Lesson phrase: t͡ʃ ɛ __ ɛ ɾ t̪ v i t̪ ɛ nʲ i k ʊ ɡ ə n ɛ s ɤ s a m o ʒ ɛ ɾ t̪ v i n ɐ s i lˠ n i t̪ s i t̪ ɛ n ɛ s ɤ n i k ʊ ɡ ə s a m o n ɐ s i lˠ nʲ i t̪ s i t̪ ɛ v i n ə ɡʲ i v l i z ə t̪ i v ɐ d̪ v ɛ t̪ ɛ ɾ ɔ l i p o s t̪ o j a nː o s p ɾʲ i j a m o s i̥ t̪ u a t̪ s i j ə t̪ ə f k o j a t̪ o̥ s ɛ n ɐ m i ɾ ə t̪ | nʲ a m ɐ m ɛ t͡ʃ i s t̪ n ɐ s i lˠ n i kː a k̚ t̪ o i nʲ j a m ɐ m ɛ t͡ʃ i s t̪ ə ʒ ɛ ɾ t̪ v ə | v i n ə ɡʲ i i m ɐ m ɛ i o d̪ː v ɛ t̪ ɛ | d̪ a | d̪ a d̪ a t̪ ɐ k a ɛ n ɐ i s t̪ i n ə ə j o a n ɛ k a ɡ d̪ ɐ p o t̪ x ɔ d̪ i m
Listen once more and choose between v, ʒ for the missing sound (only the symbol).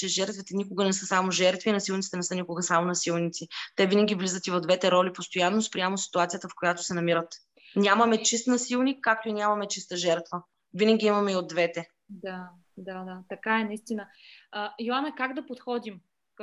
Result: ʒ